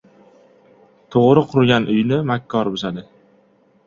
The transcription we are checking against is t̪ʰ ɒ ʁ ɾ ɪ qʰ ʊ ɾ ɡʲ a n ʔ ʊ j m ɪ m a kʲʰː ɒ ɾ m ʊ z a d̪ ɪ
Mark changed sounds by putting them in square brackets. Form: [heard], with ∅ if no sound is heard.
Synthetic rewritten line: t̪ʰ [o] ʁ ɾ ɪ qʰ ʊ ɾ ɡʲ a n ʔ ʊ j [n] ɪ m a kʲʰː ɒ ɾ [b] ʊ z a d̪ ɪ